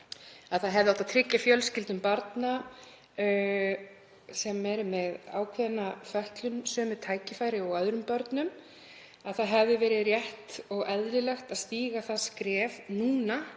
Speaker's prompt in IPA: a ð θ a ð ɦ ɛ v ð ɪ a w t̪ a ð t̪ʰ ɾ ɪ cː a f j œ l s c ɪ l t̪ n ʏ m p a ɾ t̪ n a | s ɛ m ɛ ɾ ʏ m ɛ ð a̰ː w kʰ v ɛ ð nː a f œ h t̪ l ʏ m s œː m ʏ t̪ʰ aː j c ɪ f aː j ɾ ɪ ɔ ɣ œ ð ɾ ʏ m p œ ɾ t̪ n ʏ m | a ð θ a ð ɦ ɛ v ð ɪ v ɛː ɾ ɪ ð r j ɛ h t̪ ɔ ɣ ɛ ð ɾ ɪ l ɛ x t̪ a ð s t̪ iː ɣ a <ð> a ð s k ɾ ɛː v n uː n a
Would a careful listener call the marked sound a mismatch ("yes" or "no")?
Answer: yes